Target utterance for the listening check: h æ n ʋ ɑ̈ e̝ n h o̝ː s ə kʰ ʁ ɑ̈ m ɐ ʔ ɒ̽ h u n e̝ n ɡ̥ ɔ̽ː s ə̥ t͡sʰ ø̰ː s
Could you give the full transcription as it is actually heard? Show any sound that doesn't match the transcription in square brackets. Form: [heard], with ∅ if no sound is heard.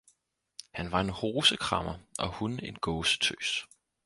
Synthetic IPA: h æ n ʋ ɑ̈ e̝ n h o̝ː s ə kʰ ʁ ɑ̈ m ɐ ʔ ɒ̽ h u n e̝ n ɡ̥ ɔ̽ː s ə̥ t͡sʰ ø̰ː s